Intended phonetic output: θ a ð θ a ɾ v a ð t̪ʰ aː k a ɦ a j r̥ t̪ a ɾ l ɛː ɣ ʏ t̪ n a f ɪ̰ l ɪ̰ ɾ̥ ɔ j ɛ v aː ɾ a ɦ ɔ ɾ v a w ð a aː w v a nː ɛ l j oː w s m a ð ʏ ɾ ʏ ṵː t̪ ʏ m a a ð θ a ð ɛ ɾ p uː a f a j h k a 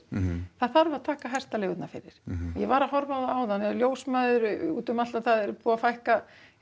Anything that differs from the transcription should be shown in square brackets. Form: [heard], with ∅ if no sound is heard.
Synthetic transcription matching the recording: θ a ð θ a ɾ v a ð t̪ʰ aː k a ɦ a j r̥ t̪ a [∅] l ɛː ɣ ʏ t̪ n a f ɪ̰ [ɾ] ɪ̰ ɾ̥ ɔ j ɛ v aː ɾ a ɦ ɔ ɾ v a w ð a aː w [ð] a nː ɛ l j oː w s m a ð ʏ ɾ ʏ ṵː t̪ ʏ m a a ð θ a ð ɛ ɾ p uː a f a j h k a